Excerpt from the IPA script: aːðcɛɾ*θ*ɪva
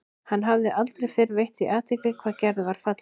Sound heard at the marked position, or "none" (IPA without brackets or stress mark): ð